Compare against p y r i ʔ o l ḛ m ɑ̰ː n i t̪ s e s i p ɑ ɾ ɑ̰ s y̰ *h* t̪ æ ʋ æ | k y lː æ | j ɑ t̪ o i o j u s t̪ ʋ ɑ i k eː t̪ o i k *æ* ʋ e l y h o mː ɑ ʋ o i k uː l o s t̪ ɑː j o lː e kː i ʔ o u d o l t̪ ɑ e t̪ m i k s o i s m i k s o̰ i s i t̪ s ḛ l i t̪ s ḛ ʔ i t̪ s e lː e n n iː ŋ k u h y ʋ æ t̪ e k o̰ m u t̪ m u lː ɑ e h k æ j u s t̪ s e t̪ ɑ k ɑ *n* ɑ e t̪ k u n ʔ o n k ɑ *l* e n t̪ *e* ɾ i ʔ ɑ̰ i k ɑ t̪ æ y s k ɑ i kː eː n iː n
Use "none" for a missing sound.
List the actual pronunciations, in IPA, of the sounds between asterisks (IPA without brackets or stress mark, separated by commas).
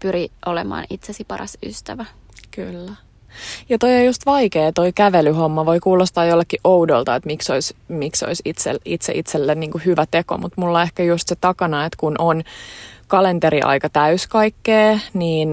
s, æ, n, l, e